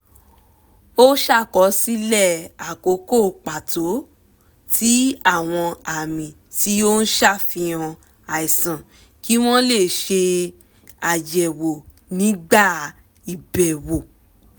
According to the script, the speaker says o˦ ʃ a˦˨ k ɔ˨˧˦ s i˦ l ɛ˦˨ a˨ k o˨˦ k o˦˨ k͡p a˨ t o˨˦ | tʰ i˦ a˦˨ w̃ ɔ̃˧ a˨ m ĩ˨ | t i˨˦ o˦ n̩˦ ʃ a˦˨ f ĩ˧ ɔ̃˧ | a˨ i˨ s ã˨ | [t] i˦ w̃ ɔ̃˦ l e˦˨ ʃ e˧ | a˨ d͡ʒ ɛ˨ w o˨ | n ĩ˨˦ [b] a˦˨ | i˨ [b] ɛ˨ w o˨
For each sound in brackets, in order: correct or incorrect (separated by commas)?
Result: incorrect, incorrect, correct